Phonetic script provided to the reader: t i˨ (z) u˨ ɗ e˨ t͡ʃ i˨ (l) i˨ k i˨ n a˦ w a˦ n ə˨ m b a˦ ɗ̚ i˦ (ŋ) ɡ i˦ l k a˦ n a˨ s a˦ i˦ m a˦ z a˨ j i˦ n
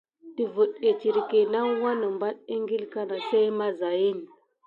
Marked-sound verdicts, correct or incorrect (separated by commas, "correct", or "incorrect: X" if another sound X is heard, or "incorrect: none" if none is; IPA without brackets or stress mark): incorrect: v, incorrect: ɾ, correct